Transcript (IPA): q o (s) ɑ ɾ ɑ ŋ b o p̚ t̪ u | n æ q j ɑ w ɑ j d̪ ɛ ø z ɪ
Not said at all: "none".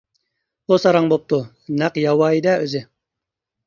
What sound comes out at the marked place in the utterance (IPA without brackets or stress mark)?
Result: s